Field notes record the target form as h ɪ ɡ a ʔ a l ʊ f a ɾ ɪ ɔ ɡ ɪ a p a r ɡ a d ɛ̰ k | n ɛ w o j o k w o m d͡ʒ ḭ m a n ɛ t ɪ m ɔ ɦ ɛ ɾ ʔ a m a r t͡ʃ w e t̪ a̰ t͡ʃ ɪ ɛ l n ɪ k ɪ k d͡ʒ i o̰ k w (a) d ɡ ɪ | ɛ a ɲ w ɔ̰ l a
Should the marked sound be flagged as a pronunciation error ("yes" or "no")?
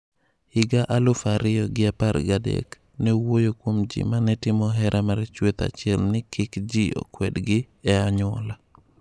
yes